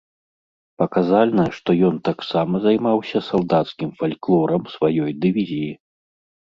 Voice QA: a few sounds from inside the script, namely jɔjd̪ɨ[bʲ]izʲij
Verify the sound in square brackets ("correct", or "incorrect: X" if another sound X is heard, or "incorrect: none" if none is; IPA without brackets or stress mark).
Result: incorrect: vʲ